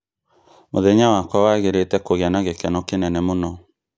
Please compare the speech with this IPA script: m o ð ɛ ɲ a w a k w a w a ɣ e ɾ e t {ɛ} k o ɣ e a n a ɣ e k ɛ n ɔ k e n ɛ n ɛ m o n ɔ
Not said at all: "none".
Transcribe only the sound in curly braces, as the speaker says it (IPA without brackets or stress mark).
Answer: ɛ